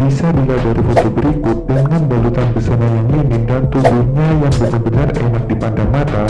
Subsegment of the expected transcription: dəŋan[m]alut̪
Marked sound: incorrect: b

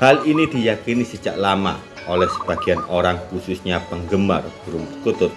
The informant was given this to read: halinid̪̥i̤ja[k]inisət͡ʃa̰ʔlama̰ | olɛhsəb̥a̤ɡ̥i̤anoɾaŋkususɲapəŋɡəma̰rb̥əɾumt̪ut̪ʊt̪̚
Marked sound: correct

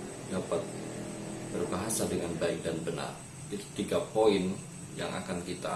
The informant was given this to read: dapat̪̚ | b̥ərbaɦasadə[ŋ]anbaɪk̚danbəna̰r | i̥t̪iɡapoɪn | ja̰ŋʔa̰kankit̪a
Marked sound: correct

